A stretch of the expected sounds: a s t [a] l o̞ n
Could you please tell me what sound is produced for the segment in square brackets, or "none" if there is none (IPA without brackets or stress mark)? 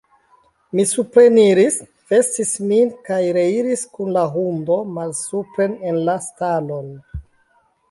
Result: a